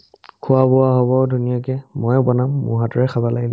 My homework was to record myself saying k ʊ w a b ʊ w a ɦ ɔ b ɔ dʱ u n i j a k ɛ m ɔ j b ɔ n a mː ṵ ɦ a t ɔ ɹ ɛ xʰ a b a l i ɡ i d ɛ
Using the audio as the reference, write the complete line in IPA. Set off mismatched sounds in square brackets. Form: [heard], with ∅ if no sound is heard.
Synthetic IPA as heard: [kʰ] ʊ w a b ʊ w a ɦ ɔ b ɔ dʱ u n i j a k ɛ m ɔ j b ɔ n a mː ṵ ɦ a t ɔ ɹ ɛ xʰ a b a l [a] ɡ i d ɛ